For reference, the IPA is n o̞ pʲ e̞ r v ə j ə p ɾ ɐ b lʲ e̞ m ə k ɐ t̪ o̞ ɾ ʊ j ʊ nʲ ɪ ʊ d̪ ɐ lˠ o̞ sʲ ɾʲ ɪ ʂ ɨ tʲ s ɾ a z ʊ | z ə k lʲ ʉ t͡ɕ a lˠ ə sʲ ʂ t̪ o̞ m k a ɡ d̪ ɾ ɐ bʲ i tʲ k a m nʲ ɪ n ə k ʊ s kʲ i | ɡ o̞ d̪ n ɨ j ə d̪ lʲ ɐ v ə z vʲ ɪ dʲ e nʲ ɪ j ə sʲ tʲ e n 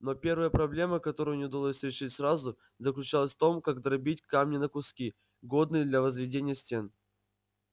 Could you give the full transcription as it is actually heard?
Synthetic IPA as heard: n o̞ pʲ e̞ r v ə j ə p ɾ ɐ b lʲ e̞ m ə k ɐ t̪ o̞ ɾ ʊ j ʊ nʲ ɪ ʊ d̪ ɐ lˠ o̞ sʲ ɾʲ ɪ ʂ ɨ tʲ s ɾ a z ʊ | z ə k lʲ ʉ t͡ɕ a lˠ ə sʲ f t̪ o̞ m k a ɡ d̪ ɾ ɐ bʲ i tʲ k a m nʲ ɪ n ə k ʊ s kʲ i | ɡ o̞ d̪ n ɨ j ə d̪ lʲ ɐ v ə z vʲ ɪ dʲ e nʲ ɪ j ə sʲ tʲ e n